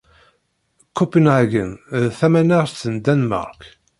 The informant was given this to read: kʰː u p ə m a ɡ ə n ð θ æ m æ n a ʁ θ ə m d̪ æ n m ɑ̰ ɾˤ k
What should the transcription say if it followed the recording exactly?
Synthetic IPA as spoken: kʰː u p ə n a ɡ ə n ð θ æ m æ n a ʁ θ ə n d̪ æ n m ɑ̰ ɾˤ k